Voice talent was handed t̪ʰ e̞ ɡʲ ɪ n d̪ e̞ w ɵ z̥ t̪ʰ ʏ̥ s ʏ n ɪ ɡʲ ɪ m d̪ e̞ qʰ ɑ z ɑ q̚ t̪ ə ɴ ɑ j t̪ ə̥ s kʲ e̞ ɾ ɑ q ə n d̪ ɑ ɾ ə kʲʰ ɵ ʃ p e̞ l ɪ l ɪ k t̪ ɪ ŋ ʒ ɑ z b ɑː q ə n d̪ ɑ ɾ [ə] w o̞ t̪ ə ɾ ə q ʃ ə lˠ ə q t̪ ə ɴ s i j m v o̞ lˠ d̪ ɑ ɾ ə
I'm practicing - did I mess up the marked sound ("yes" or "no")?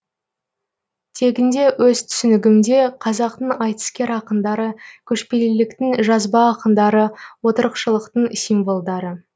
no